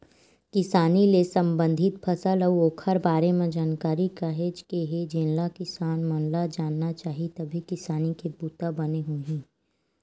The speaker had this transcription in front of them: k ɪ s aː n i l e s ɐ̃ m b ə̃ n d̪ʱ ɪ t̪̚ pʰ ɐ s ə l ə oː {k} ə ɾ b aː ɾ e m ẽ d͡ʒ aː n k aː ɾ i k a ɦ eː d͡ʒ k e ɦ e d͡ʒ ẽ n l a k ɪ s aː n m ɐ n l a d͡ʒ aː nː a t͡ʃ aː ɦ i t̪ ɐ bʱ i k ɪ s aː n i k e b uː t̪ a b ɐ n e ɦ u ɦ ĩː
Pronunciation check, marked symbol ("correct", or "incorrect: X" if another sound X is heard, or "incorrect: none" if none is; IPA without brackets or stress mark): incorrect: kʰ